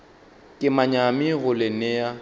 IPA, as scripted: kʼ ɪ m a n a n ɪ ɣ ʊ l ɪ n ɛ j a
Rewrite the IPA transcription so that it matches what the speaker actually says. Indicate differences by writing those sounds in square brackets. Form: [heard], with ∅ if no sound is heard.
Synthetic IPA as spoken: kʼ ɪ m a [ɲ] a [m] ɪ ɣ ʊ l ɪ n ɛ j a